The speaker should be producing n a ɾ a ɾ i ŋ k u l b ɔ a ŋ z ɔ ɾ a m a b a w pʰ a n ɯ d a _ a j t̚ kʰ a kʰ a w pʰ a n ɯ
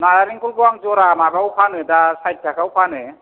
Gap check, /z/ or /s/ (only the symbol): s